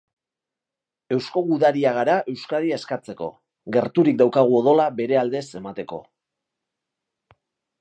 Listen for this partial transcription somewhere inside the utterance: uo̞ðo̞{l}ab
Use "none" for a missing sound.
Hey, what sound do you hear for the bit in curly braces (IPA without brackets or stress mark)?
l